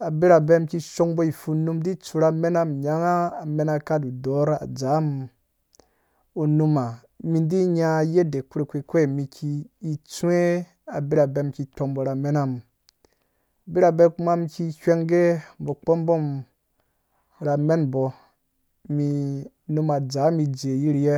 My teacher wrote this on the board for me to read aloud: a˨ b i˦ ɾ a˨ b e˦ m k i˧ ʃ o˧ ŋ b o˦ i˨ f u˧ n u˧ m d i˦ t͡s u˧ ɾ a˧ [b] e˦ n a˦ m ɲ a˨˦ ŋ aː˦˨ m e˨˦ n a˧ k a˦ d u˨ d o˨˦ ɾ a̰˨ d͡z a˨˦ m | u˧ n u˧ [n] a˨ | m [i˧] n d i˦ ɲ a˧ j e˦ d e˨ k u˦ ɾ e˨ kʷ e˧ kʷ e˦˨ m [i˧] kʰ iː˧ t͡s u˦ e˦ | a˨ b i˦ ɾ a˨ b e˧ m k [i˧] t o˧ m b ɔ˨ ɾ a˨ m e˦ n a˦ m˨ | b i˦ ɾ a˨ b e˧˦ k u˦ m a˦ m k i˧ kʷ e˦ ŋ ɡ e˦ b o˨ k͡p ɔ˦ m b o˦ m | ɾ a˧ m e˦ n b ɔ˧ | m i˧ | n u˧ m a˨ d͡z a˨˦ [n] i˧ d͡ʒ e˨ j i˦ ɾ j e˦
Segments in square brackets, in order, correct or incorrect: incorrect: m, incorrect: m, correct, correct, correct, incorrect: m

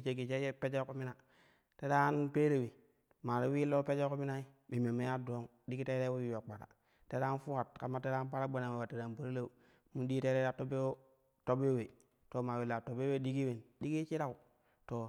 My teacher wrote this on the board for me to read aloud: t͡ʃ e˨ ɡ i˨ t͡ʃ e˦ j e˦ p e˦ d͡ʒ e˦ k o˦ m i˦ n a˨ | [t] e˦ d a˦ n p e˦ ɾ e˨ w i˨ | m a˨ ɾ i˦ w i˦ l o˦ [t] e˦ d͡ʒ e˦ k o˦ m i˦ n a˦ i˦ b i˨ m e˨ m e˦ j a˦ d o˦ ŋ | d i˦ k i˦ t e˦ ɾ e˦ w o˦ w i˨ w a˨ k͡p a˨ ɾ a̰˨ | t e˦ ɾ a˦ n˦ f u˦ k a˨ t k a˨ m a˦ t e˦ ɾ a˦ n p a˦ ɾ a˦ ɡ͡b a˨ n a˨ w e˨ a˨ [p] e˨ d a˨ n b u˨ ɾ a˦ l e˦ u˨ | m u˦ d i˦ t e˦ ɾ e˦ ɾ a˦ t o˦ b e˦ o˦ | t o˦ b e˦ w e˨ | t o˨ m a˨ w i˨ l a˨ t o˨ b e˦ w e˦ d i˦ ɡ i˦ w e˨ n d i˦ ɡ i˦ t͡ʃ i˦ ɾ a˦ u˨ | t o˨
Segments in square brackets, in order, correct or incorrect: correct, incorrect: p, incorrect: t

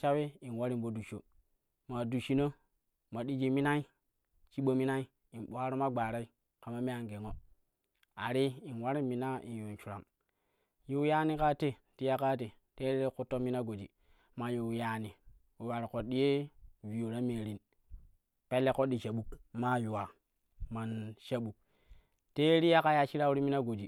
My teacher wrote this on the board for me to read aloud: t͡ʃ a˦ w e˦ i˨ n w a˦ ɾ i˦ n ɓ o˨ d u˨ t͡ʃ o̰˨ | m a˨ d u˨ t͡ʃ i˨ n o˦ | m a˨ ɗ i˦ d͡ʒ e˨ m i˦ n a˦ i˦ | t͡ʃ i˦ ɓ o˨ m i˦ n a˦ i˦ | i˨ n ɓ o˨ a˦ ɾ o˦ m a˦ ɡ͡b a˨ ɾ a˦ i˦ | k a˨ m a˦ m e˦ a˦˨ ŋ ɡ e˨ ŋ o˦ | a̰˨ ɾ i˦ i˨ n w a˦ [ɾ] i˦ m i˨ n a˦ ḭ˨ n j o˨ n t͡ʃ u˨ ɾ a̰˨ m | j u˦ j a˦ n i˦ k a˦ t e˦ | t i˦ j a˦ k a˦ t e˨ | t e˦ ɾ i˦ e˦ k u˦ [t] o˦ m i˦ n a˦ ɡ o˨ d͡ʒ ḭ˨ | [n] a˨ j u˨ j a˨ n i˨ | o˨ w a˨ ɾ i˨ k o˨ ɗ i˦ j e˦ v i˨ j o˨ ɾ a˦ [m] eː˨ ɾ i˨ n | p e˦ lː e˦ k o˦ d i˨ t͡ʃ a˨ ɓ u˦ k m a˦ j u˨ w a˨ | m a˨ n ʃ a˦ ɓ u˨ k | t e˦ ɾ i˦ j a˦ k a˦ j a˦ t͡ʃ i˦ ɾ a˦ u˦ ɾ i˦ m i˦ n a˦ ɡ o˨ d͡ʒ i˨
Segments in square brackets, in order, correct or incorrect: correct, correct, incorrect: m, correct

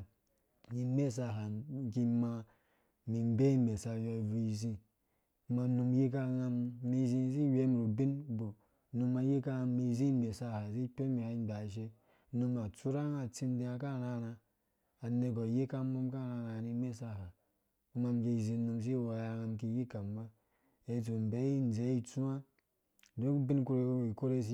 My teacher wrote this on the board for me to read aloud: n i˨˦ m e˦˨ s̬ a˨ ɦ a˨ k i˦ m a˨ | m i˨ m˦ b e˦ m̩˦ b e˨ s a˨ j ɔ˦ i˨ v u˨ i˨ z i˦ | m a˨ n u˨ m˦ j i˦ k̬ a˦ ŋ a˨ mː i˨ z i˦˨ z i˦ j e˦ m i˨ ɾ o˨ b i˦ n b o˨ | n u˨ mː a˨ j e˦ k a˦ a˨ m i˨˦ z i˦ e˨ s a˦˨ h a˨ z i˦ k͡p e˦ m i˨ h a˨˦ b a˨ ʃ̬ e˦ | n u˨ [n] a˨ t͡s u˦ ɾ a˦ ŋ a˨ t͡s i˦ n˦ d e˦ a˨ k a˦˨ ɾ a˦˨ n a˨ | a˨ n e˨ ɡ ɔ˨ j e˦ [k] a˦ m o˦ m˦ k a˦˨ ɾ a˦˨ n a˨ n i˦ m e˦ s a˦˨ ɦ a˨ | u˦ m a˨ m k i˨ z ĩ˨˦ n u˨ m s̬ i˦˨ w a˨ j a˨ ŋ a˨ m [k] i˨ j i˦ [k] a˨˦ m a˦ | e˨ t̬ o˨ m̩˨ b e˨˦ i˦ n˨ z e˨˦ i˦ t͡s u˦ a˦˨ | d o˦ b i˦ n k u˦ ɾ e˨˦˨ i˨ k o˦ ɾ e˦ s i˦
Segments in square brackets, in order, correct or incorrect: incorrect: m, correct, correct, correct

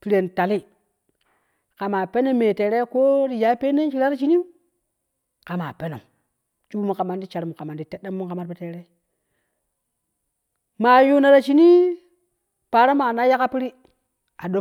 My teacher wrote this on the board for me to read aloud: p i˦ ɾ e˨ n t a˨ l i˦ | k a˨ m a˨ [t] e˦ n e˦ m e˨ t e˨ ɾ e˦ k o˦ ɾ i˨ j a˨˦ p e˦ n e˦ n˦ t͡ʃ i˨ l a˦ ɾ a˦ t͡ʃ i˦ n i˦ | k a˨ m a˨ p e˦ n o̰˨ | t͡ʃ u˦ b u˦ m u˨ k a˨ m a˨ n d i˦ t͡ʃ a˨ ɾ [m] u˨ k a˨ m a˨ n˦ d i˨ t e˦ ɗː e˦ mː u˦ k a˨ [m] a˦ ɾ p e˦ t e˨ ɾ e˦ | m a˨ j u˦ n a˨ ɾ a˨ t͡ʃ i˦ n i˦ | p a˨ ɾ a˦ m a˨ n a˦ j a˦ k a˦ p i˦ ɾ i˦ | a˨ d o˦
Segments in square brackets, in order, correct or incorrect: incorrect: p, correct, correct

